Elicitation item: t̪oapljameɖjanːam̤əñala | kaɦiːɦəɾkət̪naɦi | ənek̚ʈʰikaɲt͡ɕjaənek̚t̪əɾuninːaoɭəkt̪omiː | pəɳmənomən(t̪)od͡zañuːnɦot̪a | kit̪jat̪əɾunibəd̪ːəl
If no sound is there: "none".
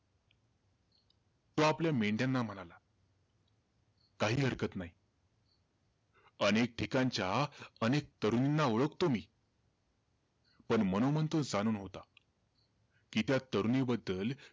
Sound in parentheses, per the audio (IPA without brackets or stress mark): t̪